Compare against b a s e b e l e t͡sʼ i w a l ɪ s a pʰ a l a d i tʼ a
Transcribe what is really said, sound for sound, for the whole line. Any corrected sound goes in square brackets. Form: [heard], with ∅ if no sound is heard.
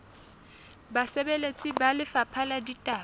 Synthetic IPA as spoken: b a s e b e l e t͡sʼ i [b] a l ɪ [f] a pʰ a l a d i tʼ a